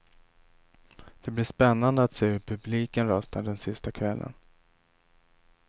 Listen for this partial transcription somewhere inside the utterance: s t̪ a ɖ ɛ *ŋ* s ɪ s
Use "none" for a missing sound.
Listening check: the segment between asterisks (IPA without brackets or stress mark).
n